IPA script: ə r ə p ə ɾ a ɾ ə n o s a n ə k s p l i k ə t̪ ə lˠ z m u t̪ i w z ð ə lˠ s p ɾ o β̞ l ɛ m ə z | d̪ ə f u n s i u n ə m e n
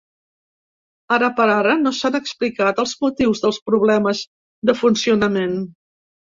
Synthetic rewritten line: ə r ə p ə ɾ a ɾ ə n o s a n ə k s p l i k a t̪ ə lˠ z m u t̪ i w z ð ə lˠ s p ɾ u β̞ l ɛ m ə z | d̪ ə f u n s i u n ə m e n